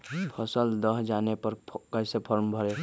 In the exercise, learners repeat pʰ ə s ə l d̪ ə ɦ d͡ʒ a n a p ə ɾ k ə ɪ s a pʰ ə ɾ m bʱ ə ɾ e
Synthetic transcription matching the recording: pʰ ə s ə l d̪ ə ɦ d͡ʒ a n e p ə ɾ k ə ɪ s e pʰ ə ɾ m bʱ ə ɾ e